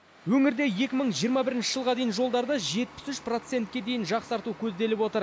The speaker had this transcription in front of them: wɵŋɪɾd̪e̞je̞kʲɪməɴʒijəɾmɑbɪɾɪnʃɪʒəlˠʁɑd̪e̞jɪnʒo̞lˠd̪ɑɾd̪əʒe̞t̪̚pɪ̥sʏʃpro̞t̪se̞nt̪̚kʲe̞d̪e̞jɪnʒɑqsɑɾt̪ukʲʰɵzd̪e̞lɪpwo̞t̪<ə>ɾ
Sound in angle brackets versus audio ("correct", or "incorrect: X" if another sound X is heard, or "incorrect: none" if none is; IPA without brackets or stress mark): correct